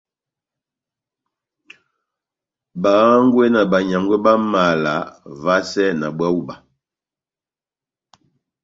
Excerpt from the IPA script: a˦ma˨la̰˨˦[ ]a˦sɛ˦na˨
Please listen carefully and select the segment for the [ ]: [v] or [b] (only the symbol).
v